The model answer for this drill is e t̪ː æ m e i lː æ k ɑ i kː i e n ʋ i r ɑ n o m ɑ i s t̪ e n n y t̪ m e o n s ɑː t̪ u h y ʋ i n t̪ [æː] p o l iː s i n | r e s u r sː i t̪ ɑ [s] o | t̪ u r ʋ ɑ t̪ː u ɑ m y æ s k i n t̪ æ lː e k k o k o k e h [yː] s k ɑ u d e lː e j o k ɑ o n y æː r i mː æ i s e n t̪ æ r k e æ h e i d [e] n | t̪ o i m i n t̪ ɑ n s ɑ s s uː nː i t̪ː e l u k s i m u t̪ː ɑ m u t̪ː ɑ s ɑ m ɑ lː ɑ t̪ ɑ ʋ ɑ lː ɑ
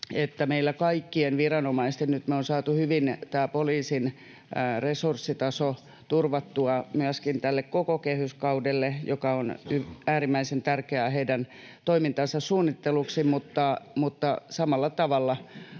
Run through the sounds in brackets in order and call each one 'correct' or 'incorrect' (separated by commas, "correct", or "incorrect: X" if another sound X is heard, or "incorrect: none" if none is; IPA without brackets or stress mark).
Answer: correct, correct, incorrect: y, incorrect: æ